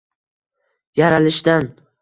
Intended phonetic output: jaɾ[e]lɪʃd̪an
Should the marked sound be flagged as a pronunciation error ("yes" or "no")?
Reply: yes